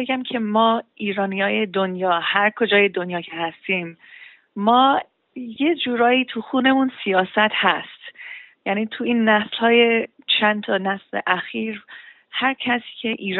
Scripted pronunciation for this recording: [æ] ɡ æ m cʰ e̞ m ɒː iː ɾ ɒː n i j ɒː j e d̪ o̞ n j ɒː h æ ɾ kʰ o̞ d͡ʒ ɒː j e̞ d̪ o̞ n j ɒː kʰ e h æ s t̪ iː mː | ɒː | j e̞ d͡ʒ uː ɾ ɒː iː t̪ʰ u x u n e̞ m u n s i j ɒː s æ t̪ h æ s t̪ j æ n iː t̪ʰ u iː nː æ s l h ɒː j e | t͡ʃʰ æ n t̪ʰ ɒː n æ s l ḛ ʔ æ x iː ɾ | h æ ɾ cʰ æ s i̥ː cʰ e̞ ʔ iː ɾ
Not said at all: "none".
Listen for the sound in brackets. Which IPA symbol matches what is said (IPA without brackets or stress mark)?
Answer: e